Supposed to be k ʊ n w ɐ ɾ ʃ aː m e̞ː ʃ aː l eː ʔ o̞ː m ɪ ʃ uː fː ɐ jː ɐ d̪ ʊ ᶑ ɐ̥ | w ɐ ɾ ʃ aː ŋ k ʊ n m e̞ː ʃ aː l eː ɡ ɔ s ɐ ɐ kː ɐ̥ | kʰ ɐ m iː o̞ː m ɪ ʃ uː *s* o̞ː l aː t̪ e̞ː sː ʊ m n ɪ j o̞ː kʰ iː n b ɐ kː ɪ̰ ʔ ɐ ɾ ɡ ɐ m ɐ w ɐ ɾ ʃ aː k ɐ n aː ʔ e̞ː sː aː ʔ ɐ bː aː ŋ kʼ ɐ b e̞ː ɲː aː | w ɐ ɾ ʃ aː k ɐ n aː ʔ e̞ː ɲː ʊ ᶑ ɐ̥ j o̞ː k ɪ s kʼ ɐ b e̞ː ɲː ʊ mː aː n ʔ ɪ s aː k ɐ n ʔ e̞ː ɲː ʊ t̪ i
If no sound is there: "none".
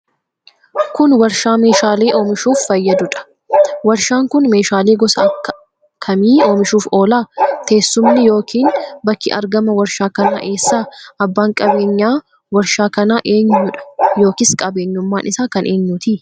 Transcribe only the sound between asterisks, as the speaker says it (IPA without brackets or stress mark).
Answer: f